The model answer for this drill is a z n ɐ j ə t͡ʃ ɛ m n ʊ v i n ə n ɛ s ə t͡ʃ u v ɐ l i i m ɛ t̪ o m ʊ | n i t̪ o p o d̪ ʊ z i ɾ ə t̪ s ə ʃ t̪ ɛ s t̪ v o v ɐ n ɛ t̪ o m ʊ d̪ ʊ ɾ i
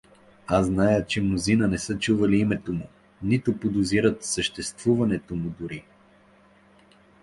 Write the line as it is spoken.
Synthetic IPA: a z n a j ə t͡ʃ ɛ m n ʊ z i n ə n ɛ s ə t͡ʃ u v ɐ l i i m ɛ t̪ o m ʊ | n i t̪ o p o d̪ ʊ z i ɾ ə t̪ s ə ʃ t̪ ɛ s t̪ v u v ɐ n ɛ t̪ o m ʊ d̪ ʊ ɾ i